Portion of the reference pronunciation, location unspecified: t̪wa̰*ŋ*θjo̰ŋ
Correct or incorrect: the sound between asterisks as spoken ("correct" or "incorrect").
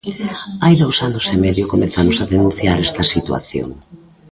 incorrect